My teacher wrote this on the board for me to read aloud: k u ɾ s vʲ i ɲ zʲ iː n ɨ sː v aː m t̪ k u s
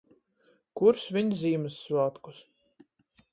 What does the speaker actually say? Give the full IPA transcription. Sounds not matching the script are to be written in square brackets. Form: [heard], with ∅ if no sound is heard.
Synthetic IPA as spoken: k u ɾ s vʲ i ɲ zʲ iː [m] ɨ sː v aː [∅] t̪ k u s